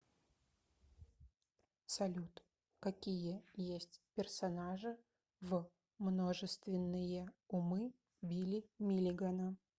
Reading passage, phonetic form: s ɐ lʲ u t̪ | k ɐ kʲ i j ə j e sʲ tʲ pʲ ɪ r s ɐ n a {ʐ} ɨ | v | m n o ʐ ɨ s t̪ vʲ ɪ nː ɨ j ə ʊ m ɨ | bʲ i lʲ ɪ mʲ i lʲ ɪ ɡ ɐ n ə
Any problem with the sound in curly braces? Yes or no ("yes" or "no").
no